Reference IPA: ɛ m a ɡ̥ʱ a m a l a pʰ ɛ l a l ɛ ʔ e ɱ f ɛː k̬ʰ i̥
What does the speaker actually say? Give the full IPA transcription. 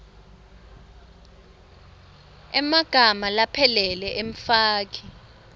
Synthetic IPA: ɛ m a ɡ̥ʱ a m a l a pʰ ɛ l ɛ l ɛ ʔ e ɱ f aː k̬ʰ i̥